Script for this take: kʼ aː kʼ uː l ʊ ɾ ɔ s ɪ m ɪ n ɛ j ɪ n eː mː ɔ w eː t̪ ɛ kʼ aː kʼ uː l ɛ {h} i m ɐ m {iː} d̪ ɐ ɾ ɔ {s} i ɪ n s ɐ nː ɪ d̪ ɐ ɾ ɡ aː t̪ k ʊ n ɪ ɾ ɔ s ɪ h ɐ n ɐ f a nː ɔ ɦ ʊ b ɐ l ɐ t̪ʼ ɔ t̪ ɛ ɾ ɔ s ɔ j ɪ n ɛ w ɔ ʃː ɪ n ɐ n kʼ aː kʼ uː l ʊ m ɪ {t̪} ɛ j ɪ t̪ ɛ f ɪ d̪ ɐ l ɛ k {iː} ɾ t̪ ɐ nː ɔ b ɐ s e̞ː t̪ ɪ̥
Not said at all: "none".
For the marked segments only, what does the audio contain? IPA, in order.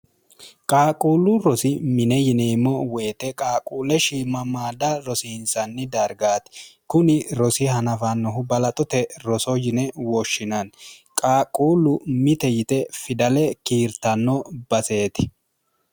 ʃ, aː, s, t̪, iː

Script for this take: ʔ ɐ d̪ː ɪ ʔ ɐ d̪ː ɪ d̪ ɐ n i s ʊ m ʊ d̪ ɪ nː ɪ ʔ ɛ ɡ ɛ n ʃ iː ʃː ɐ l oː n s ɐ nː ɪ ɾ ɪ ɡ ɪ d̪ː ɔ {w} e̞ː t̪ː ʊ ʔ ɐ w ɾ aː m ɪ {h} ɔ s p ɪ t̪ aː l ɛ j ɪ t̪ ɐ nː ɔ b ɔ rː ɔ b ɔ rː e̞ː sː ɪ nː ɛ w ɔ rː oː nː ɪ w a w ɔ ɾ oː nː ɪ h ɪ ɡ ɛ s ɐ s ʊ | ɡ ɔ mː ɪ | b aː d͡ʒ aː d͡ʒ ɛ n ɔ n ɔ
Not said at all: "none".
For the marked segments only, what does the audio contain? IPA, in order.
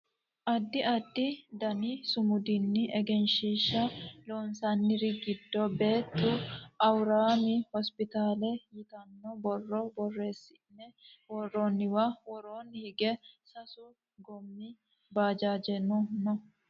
b, h

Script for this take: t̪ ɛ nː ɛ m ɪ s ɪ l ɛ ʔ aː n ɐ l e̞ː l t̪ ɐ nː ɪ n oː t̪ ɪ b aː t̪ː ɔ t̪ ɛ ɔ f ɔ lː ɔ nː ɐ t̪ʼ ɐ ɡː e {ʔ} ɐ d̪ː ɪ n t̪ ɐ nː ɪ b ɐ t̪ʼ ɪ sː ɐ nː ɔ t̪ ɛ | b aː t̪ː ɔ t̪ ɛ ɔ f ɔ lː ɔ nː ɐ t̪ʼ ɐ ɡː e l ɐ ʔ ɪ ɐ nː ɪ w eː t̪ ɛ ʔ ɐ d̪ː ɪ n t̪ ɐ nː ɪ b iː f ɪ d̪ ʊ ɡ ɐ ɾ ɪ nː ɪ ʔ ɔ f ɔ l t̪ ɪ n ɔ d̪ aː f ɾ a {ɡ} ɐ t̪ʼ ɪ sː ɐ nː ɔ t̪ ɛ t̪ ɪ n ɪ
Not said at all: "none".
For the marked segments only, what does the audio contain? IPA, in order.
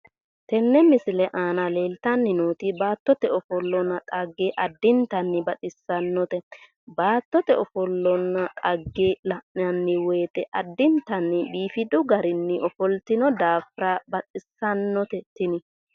ʔ, b

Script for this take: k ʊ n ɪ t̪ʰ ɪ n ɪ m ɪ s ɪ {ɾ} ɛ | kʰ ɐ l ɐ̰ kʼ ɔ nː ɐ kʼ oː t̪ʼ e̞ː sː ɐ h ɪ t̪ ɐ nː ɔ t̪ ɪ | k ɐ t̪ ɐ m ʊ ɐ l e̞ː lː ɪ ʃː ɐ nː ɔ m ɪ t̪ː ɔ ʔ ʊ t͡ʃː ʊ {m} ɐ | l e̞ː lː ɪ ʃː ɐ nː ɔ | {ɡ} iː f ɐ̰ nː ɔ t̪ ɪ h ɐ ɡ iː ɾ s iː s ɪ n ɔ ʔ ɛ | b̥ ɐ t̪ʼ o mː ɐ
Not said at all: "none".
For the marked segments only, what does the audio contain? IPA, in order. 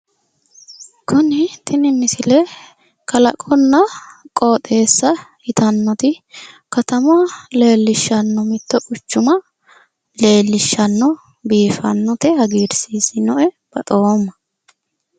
l, m, b

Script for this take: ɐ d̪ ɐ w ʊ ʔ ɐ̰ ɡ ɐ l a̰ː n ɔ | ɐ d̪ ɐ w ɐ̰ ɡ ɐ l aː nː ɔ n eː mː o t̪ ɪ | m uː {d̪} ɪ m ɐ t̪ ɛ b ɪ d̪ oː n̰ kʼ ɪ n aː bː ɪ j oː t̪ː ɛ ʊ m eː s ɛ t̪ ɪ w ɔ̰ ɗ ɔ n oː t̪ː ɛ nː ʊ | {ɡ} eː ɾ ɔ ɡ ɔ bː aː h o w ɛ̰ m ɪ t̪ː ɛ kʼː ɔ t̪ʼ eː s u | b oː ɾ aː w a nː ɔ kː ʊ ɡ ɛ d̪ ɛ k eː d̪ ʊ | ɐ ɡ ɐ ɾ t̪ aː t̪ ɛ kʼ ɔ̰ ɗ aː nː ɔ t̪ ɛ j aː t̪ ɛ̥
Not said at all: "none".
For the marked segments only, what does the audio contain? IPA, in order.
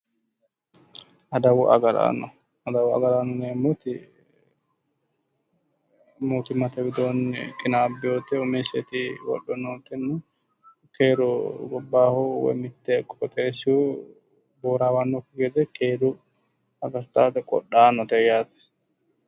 t̪, k

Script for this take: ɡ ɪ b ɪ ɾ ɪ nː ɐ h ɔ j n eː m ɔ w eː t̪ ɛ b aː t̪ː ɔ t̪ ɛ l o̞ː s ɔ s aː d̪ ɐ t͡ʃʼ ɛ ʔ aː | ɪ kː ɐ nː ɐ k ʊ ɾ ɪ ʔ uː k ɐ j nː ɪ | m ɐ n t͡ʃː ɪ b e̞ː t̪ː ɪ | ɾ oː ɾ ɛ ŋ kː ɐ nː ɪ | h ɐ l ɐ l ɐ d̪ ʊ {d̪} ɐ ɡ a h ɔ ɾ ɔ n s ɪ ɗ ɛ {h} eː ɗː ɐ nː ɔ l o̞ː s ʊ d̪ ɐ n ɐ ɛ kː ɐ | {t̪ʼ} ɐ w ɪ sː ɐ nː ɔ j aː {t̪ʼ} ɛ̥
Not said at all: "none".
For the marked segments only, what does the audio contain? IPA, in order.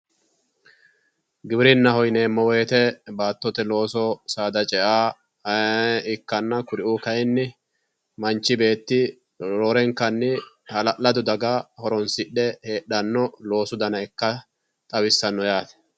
d̪, h, t̪ʼ, t̪

